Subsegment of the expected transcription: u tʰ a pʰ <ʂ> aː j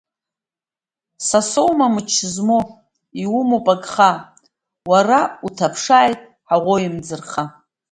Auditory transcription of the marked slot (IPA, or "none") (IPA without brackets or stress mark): ʂ